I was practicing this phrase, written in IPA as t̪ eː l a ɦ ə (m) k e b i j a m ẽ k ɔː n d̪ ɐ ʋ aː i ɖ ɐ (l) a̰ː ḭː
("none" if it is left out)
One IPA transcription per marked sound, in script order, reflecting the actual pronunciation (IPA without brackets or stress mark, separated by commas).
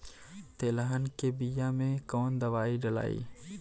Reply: n, l